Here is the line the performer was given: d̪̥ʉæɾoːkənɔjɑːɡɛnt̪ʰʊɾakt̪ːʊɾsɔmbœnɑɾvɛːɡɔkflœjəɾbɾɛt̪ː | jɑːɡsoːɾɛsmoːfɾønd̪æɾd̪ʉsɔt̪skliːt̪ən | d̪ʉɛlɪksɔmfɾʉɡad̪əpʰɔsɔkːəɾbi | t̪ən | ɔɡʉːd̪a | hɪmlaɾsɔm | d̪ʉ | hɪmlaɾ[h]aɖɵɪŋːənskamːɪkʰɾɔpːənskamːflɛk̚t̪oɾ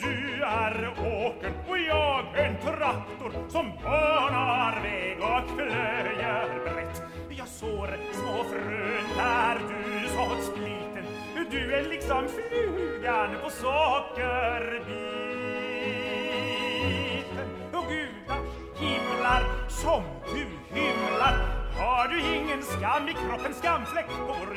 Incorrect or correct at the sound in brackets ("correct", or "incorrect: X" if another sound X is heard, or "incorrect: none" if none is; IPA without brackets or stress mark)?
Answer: correct